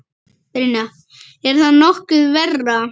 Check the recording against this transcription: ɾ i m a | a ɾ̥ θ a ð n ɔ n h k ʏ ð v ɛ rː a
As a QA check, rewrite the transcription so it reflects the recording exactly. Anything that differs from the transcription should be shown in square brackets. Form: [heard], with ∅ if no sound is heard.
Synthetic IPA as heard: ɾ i [n] a | [ɛ] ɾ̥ θ a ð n ɔ [∅] h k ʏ ð v ɛ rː a